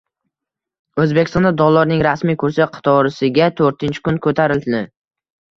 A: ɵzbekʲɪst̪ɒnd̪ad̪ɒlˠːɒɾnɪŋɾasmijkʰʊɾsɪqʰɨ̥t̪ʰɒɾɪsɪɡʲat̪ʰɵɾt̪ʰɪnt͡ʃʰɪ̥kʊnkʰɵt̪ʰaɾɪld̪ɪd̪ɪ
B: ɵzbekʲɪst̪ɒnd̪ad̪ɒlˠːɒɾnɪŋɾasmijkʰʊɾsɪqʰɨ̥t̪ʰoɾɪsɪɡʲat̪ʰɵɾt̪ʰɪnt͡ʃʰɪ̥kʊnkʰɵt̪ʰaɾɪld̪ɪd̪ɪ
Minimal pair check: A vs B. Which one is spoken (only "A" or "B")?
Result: A